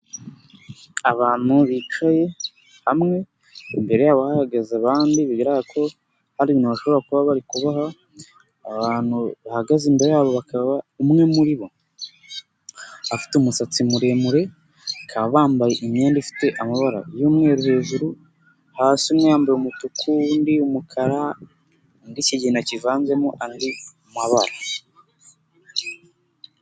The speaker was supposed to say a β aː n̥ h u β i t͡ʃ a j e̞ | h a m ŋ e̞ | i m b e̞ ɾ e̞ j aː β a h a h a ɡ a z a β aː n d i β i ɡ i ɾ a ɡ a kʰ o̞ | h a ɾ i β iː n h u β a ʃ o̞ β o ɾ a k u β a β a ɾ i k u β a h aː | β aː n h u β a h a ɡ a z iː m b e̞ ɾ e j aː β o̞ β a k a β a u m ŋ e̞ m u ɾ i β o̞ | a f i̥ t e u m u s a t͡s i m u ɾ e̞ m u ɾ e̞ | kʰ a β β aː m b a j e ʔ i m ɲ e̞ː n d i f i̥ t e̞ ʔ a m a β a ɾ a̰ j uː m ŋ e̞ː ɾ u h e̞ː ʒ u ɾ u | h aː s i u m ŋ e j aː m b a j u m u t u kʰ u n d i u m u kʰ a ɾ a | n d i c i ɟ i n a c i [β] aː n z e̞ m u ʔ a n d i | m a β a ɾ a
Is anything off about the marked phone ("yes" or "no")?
yes